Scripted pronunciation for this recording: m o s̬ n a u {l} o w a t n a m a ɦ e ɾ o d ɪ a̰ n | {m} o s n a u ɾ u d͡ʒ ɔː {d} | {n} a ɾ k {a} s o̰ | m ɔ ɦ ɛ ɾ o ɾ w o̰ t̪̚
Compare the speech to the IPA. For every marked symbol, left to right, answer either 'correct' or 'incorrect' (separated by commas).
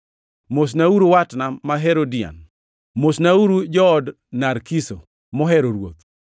incorrect, correct, correct, correct, incorrect